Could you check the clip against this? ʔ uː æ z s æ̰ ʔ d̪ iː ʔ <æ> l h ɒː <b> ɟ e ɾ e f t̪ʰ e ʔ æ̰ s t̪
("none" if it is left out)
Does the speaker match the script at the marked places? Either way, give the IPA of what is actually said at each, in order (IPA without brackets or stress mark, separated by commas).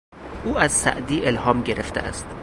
e, m